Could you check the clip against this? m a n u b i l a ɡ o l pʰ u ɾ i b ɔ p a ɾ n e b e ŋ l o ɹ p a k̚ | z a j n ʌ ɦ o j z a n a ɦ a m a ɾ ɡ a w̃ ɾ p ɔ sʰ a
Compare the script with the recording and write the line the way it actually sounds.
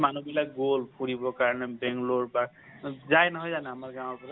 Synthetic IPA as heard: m a n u b i l a ɡ o l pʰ u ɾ i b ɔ k a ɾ n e b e ŋ l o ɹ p a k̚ | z a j n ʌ ɦ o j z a n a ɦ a m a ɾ ɡ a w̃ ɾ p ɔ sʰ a

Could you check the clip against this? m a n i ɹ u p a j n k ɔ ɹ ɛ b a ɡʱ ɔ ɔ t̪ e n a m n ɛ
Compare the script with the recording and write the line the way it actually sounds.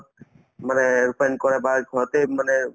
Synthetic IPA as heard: m a n ɛ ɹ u p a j n k ɔ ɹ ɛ b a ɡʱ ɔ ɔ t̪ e m a n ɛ

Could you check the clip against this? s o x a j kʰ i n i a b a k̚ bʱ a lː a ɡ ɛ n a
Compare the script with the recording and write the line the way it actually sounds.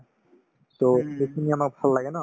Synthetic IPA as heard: s o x e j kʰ i n i a m a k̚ bʱ a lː a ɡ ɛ n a

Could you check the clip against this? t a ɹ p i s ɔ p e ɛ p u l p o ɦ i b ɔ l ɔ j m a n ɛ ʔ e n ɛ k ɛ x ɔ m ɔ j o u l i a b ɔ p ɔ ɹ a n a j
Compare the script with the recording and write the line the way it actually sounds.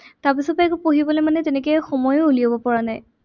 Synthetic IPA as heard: t a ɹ p i s ɔ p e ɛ k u p o ɦ i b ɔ l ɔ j m a n ɛ t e n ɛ k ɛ x ɔ m ɔ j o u l i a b ɔ p ɔ ɹ a n a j

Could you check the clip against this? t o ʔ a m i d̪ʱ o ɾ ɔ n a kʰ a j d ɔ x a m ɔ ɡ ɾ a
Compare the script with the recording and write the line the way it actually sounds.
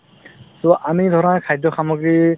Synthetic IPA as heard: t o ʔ a m i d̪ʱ ɔ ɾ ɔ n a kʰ a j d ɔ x a m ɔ ɡ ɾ i

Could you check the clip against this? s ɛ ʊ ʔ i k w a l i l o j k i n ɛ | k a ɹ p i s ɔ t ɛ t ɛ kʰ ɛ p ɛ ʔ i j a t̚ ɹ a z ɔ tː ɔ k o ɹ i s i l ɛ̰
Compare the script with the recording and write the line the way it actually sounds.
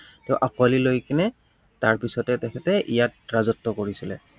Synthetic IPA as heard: t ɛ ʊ ʔ a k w a l i l o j k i n ɛ | t a ɹ p i s ɔ t ɛ t ɛ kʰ ɛ t ɛ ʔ i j a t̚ ɹ a z ɔ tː ɔ k o ɹ i s i l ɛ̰

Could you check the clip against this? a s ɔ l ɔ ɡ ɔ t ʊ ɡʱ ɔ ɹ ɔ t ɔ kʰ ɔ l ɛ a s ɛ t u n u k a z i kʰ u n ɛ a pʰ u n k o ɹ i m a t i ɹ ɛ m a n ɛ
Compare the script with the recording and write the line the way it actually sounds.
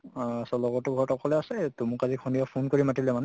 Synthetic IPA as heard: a s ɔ l ɔ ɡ ɔ t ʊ ɡʱ ɔ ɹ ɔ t ɔ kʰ ɔ l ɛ a s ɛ t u m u k a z i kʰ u n i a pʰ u n k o ɹ i m a t i l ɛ m a n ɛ

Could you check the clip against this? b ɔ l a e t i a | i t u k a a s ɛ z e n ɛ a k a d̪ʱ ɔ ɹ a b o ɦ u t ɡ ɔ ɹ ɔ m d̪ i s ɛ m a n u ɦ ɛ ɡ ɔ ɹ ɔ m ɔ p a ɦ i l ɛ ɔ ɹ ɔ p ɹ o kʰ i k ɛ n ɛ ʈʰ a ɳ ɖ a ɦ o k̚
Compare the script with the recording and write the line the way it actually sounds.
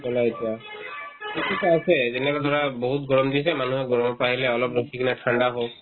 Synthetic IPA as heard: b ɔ l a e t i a | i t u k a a s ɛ z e n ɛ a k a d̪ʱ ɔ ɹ a b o ɦ u t ɡ ɔ ɹ ɔ m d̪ i s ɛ m a n u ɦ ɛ ɡ ɔ ɹ ɔ m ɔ p a ɦ i l ɛ ɔ l ɔ p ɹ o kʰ i k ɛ n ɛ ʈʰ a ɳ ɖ a ɦ o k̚

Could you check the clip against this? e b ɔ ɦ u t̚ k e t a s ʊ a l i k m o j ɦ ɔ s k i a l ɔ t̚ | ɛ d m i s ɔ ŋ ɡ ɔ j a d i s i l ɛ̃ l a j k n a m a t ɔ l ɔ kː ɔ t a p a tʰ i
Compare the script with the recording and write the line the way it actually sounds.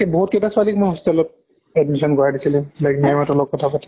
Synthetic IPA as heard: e b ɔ ɦ u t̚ k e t a s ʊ a l i k m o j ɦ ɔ s t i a l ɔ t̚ | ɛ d m i s ɔ n ɡ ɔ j a d i s i l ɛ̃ l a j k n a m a t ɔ l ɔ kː ɔ tʰ a p a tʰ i

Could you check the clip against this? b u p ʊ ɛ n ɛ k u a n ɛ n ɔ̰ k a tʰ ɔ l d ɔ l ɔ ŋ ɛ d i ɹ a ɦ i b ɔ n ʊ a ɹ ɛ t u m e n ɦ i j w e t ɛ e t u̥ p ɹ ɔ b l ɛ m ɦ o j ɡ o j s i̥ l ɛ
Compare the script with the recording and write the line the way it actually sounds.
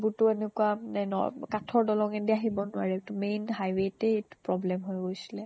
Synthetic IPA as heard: b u t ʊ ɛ n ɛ k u a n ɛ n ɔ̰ k a tʰ ɔ ɹ d ɔ l ɔ ŋ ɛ d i a ɦ i b ɔ n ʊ a ɹ ɛ t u m e n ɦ a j w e t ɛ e t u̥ p ɹ ɔ b l ɛ m ɦ o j ɡ o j s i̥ l ɛ

